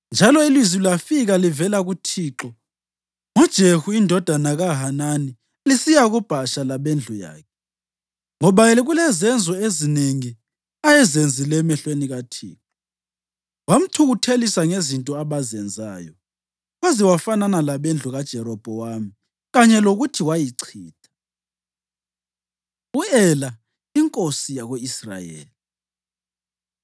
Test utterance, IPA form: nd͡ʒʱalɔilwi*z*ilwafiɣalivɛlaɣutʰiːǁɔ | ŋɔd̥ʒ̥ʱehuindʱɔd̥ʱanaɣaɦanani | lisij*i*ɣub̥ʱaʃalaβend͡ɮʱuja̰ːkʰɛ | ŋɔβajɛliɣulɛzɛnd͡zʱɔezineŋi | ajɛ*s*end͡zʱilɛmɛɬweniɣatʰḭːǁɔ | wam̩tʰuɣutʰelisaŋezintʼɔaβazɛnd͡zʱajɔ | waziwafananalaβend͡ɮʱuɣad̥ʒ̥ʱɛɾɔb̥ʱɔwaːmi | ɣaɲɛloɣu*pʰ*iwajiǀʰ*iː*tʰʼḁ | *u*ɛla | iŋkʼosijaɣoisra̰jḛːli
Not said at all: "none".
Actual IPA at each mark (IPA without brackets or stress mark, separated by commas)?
z, a, z, tʰ, iː, u